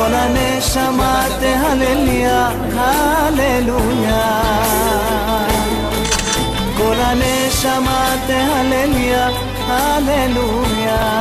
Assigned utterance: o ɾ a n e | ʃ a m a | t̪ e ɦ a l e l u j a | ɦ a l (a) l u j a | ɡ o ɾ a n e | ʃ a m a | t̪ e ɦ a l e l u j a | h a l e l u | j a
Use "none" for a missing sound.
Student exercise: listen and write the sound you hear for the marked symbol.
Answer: e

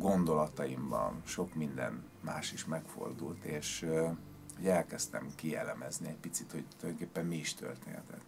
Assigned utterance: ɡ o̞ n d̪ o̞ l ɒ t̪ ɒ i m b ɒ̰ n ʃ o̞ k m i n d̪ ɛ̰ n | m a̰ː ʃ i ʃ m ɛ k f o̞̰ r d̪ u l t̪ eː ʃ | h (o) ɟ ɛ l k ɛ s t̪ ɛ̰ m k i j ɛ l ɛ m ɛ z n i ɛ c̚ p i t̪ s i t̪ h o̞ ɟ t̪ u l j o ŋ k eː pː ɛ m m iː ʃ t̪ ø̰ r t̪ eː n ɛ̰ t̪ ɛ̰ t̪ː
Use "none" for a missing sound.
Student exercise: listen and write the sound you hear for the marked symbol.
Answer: o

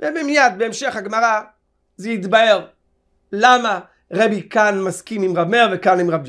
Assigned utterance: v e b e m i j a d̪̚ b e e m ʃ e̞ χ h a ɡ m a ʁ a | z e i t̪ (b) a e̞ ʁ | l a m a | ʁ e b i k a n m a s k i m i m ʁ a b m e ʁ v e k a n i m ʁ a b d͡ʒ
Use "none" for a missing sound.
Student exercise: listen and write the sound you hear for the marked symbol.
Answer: b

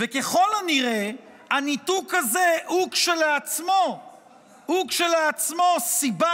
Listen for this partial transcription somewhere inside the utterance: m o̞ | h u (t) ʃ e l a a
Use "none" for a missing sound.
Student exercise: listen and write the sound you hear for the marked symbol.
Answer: k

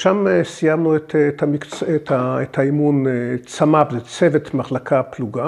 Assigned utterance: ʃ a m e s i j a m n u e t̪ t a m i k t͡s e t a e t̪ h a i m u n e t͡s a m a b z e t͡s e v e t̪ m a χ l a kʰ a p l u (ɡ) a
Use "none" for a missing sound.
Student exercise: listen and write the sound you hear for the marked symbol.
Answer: ɡ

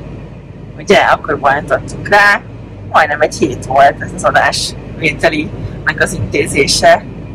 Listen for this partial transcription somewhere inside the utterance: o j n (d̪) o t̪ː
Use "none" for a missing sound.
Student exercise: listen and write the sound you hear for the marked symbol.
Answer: t̪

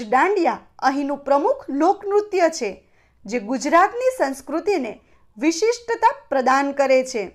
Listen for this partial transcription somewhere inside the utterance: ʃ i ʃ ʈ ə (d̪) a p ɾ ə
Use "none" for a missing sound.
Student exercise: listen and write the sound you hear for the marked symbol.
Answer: t̪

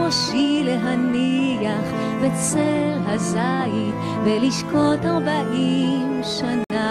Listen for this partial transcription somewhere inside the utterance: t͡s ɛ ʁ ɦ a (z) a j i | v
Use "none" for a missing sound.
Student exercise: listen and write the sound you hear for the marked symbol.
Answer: z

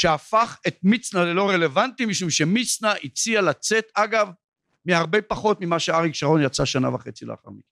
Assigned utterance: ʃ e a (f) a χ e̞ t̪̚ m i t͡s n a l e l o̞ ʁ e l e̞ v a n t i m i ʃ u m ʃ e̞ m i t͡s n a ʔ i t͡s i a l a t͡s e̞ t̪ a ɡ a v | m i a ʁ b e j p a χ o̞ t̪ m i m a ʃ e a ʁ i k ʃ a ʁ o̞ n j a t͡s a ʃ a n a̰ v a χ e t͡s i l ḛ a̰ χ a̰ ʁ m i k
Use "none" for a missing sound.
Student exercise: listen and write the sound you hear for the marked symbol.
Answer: f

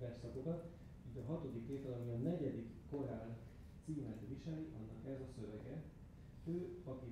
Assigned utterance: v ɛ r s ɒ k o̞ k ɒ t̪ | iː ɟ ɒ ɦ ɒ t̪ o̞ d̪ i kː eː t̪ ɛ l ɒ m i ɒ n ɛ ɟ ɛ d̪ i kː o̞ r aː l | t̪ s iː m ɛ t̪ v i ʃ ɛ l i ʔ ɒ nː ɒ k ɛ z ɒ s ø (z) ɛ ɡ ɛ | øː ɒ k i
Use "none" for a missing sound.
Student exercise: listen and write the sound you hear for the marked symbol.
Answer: v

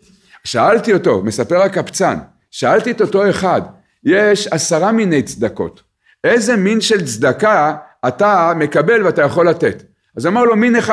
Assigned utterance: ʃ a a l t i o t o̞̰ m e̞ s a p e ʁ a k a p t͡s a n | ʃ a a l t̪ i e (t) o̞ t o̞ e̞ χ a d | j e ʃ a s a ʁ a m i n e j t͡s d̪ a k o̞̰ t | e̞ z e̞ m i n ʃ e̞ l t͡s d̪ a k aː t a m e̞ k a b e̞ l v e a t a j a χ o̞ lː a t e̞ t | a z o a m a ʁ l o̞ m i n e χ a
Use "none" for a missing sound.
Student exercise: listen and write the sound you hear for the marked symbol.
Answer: t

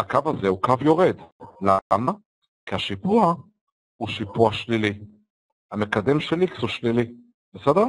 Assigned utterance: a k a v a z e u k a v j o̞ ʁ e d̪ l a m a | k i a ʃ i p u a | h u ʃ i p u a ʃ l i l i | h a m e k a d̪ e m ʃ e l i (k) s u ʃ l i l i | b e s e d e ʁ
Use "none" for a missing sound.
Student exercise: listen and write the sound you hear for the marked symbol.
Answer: k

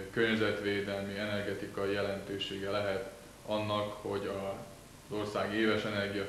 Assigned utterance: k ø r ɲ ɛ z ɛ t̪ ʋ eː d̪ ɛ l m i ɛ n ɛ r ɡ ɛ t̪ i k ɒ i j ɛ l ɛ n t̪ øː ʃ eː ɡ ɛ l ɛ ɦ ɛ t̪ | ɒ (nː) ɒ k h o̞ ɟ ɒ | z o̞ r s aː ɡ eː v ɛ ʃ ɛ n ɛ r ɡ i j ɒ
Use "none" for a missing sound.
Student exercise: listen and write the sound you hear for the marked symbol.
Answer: nː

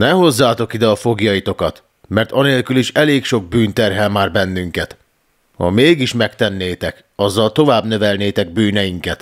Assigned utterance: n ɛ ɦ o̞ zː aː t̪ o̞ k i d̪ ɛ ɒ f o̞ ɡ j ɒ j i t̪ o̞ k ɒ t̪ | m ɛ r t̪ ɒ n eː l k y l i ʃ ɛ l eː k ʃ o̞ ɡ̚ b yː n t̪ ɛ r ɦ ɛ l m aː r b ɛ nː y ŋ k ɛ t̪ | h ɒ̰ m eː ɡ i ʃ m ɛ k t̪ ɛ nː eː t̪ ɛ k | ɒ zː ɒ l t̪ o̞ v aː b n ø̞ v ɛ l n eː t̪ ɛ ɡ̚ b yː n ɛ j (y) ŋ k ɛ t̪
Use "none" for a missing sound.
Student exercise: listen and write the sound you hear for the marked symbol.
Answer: i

